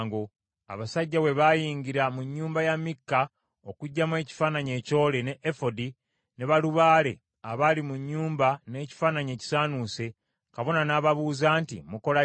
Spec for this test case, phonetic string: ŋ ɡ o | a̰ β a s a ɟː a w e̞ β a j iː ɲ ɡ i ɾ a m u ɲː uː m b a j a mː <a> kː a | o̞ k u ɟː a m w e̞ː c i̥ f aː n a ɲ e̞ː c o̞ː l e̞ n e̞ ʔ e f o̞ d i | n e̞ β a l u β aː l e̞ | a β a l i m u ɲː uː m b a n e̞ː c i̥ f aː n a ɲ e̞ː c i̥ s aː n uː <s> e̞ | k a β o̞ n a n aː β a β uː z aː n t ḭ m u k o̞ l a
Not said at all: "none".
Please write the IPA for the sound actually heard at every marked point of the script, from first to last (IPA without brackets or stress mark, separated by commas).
i, s